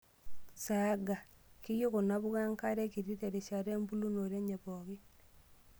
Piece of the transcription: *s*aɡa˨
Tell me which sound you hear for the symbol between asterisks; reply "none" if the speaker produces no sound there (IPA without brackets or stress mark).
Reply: s